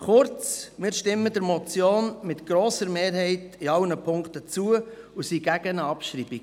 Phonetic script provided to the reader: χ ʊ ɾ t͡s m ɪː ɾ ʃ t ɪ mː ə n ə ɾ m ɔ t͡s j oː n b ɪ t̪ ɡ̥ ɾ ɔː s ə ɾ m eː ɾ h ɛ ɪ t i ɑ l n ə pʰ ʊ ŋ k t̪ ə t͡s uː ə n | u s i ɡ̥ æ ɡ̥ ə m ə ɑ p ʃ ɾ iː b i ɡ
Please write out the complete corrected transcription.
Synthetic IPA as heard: χ ʊ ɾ t͡s m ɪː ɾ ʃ t ɪ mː ə d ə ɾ m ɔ t͡s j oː n m ɪ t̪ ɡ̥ ɾ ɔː s ə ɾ m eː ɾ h ɛ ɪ t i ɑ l n ə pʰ ʊ ŋ k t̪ ə t͡s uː ə | u s i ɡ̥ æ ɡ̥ ə n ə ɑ p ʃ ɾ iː b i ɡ